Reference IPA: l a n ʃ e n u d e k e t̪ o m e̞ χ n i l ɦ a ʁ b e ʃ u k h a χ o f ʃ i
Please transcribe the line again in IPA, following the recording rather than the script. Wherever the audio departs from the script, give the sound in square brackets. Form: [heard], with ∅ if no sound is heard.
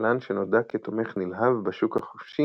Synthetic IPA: l a n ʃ e n [o] d [a] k e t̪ o m e̞ χ n i l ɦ a [v] b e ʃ u k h a χ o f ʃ i

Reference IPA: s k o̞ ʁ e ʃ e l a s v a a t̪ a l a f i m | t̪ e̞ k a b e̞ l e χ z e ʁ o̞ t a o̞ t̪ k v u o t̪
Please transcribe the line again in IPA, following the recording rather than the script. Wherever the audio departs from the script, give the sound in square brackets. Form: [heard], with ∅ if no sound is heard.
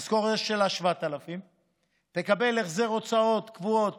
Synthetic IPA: s k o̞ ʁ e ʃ e l a [ʃ] v a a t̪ a l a f i m | t̪ e̞ k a b e̞ l e χ z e ʁ o̞ [t͡s] a o̞ t̪ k v u o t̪

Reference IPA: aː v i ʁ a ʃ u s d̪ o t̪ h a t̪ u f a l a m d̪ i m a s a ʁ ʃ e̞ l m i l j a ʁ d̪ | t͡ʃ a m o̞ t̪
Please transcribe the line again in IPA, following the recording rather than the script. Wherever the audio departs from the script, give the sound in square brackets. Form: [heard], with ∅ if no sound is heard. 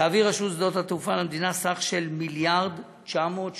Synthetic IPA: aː v i ʁ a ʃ u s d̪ o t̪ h a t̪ u f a l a m d̪ i [n] a s a [χ] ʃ e̞ l m i l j a ʁ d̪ | t͡ʃ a m o̞ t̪

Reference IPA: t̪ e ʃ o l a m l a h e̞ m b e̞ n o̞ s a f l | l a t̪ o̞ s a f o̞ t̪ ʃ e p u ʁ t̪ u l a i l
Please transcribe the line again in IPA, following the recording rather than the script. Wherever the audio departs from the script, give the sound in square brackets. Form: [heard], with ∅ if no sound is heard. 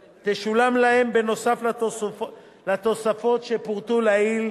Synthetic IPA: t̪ e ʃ [u] l a m l a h e̞ m b e̞ n o̞ s a f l | l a t̪ o̞ s a f o̞ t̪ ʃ e p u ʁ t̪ u l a i l

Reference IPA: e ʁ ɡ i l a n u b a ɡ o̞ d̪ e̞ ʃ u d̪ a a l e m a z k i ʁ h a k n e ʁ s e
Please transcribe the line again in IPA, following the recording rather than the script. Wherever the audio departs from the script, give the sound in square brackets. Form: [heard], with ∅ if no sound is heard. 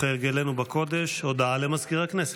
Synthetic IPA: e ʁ ɡ [e] l [e] n u b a [k] o̞ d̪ e̞ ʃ [o] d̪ a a l e m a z k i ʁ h a k n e [∅] s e

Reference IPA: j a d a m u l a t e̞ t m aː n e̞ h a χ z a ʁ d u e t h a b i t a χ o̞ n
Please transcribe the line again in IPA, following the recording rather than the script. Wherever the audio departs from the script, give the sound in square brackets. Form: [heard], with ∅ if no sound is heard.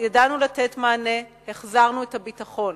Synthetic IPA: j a d a [n] u l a t e̞ t m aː n e̞ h [e] χ z a ʁ [n] u e t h a b i t a χ o̞ n

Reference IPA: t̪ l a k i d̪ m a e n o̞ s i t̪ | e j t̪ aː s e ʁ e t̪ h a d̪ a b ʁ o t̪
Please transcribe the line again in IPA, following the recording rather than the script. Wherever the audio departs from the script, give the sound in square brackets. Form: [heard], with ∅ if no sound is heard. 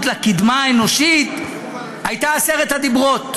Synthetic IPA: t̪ l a k i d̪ m a e n o̞ [ʃ] i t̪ | [a] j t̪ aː s e ʁ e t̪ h a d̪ [i] b ʁ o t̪

